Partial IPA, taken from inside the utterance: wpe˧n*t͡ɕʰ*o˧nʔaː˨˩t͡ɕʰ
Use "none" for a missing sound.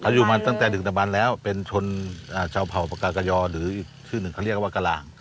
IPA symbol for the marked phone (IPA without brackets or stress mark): t͡ɕʰ